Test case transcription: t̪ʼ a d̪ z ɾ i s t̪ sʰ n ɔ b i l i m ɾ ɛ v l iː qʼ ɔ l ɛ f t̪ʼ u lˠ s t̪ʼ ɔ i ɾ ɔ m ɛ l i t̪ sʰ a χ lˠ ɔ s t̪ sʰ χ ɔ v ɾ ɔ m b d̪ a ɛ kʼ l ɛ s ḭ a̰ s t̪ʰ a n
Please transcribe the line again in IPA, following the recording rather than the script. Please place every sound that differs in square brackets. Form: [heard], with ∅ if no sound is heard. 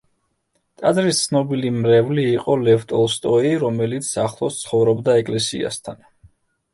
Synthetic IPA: t̪ʼ a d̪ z ɾ i s t̪ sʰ n ɔ b i l i m ɾ ɛ v l iː qʼ ɔ l ɛ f t̪ʼ [ɔ] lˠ s t̪ʼ ɔ i ɾ ɔ m ɛ l i t̪ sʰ a χ lˠ ɔ s t̪ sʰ χ ɔ v ɾ ɔ [∅] b d̪ a ɛ kʼ l ɛ s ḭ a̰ s t̪ʰ a n